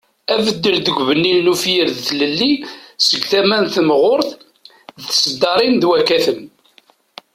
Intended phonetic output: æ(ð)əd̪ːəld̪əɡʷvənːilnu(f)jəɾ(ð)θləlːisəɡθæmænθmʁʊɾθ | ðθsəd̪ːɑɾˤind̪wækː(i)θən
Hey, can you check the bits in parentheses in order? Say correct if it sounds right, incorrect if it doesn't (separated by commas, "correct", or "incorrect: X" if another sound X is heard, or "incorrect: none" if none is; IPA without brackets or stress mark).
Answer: incorrect: v, correct, correct, incorrect: æ